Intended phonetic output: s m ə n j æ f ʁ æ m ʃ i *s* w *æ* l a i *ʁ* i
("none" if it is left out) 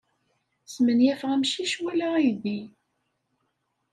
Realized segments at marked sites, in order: ʃ, æ, ð

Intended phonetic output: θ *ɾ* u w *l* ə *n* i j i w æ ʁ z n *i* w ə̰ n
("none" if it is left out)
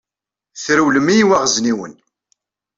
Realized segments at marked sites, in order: ɾ, l, m, i

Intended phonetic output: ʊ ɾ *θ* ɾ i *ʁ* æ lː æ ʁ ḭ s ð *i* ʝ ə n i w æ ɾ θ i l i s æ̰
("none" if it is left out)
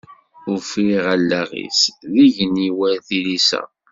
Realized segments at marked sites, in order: f, ʁ, i

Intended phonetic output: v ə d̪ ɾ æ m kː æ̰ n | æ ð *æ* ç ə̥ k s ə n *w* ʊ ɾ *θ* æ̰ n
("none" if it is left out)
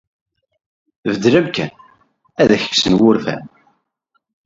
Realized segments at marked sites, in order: æ, w, f

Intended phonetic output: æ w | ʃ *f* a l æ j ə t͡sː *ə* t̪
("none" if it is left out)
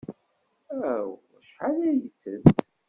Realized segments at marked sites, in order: ħ, ə

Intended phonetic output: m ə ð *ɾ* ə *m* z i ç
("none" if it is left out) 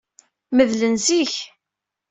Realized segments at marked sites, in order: l, n

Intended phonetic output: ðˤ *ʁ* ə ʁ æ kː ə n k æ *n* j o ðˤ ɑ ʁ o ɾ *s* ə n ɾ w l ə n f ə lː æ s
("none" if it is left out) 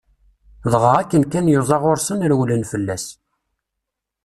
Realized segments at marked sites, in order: ʁ, n, s

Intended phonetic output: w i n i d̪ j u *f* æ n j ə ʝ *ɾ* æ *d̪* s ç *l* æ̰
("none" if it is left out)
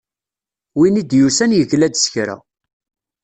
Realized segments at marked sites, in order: s, l, d̪, ɾ

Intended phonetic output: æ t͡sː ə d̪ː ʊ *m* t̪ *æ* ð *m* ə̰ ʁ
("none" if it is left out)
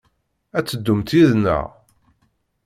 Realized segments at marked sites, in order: m, i, n

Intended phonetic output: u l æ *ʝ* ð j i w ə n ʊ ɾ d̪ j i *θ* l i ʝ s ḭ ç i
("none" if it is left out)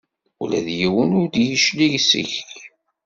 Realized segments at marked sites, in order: none, ʃ

